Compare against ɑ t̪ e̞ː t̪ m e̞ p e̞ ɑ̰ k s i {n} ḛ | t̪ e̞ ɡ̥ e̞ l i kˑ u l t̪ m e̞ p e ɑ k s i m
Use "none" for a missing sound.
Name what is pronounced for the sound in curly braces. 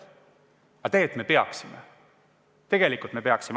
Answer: m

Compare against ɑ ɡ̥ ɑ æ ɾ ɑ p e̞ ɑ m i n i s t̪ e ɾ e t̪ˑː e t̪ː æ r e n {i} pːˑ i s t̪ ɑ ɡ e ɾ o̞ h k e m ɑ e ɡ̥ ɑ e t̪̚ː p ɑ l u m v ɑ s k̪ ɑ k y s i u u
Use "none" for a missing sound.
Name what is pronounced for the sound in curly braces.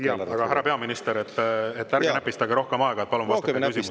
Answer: æ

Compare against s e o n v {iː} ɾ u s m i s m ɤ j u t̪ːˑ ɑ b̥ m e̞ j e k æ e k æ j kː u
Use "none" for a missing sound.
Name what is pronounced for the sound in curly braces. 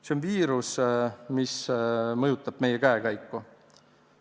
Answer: iː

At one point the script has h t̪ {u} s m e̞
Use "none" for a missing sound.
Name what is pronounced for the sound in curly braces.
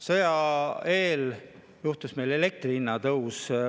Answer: u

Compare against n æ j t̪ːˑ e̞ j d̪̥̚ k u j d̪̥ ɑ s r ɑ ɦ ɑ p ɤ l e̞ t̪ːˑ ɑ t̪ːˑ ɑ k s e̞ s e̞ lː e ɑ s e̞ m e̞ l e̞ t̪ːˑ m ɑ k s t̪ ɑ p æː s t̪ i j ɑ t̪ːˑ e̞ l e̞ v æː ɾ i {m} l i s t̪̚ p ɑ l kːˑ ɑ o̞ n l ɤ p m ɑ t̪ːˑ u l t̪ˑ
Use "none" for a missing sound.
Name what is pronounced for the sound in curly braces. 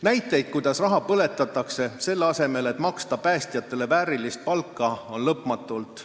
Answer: none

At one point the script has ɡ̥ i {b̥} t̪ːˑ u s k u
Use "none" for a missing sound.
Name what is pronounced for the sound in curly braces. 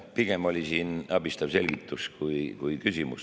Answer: none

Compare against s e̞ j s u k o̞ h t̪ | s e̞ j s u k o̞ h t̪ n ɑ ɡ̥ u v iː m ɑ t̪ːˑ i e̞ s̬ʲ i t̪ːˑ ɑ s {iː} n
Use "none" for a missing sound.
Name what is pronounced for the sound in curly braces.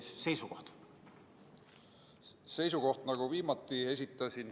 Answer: i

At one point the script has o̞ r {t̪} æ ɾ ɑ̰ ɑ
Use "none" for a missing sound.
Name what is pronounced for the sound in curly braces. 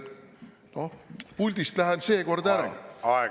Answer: d̪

